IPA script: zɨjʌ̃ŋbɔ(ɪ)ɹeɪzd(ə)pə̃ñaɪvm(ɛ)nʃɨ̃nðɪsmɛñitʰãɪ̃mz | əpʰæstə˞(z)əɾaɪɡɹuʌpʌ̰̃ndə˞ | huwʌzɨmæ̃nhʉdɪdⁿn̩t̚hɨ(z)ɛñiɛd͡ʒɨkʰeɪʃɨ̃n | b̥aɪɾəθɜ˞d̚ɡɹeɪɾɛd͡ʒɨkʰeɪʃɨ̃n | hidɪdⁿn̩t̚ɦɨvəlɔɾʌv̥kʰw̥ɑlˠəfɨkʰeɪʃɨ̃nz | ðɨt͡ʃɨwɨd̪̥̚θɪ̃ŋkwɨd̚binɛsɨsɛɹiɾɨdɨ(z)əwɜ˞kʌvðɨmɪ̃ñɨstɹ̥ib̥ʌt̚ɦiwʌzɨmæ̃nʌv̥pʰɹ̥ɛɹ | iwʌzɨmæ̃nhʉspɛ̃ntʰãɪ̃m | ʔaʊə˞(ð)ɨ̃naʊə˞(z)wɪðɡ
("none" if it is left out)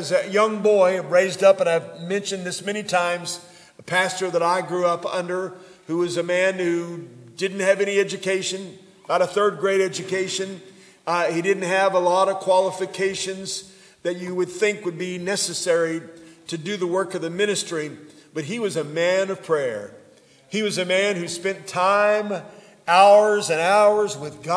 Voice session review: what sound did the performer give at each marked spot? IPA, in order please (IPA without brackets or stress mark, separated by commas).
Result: ɪ, ʌ, ɛ̃, ð, v, ð, z, z